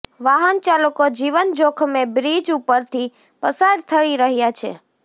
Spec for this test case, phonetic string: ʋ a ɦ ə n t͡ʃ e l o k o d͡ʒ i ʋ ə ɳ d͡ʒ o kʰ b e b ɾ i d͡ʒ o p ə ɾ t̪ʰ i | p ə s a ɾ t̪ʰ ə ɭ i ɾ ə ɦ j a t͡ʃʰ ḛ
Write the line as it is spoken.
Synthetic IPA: ʋ a ɦ ə n t͡ʃ a l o k o d͡ʒ i ʋ ə n d͡ʒ o kʰ m e b ɾ i d͡ʒ u p ə ɾ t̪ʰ i | p ə s a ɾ t̪ʰ ə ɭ i ɾ ə ɦ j a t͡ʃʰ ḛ